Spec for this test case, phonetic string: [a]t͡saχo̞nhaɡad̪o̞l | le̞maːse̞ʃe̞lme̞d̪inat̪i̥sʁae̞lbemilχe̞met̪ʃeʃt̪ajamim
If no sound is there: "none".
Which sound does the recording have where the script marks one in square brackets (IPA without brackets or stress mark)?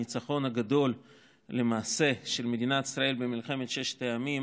i